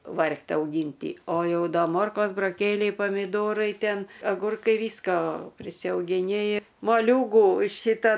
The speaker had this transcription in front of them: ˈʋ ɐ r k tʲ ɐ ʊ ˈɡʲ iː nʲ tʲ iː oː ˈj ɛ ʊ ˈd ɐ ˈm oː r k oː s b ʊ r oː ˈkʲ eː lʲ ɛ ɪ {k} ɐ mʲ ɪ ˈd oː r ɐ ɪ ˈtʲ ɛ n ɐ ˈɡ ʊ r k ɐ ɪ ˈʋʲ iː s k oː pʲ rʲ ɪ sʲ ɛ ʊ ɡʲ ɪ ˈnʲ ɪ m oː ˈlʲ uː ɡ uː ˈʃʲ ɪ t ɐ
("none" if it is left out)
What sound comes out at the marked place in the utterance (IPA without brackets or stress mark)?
p